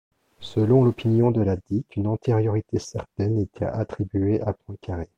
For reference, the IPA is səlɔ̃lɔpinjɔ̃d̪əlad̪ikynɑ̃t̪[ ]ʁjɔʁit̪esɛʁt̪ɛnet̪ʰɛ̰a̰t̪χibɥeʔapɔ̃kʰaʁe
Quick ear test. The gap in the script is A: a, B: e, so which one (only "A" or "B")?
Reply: B